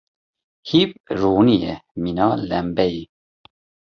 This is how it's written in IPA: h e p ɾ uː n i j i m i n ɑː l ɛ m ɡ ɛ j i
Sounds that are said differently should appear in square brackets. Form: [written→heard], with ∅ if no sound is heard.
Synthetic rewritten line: h [e→i] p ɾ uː n i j [i→ɛ] m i n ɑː l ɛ m [ɡ→b] ɛ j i